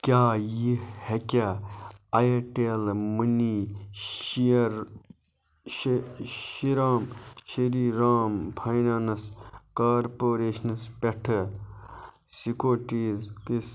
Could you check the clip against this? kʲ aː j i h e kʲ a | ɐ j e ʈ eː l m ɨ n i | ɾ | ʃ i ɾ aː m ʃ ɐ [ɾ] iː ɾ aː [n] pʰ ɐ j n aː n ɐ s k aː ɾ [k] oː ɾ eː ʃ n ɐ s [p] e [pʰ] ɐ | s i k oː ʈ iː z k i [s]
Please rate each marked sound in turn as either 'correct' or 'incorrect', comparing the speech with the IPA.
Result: correct, incorrect, incorrect, correct, incorrect, correct

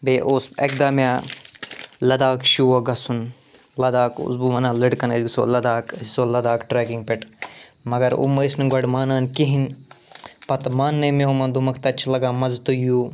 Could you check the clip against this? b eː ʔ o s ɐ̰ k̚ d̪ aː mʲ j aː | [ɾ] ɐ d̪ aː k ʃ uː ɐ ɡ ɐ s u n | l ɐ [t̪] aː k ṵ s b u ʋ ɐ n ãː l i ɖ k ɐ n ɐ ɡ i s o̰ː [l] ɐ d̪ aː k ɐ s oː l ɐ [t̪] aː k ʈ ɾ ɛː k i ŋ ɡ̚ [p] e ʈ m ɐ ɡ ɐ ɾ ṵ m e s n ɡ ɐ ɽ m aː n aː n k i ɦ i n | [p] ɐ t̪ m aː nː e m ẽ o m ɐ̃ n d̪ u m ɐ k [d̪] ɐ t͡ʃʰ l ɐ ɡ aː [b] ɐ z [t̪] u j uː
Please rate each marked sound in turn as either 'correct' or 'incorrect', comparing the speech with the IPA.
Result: incorrect, incorrect, correct, incorrect, correct, correct, incorrect, incorrect, correct

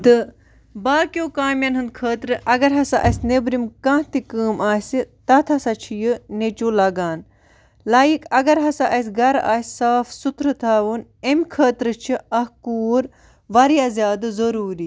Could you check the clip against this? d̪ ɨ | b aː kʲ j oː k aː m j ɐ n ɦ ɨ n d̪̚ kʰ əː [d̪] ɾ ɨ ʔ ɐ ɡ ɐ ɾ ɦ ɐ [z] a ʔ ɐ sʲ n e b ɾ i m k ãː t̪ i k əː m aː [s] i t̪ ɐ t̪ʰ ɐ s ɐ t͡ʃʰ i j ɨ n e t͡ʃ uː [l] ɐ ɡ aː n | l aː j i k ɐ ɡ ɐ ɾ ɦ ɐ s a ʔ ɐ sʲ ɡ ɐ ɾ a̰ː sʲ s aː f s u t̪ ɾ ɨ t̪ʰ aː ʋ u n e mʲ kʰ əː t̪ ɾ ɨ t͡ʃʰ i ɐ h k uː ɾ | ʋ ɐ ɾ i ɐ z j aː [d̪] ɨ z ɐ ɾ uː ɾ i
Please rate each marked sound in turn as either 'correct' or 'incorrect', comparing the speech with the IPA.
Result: incorrect, incorrect, correct, correct, correct

